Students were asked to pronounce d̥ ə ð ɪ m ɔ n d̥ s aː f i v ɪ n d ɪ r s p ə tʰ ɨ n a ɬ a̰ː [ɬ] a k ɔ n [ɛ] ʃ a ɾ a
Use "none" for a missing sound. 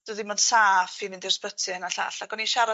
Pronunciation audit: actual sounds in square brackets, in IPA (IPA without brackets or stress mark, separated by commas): ɬ, i